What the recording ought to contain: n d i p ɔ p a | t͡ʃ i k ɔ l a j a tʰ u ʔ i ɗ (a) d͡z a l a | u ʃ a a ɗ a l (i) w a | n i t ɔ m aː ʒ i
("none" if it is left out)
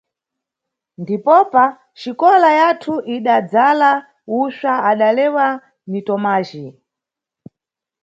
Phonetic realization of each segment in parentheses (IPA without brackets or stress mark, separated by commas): a, ɛ